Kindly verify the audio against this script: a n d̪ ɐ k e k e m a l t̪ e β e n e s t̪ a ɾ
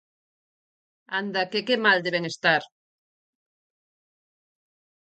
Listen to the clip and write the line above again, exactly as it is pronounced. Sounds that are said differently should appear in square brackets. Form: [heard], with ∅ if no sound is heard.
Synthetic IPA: a n d̪ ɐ k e k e m a l [d̪] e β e [ŋ] e s t̪ a ɾ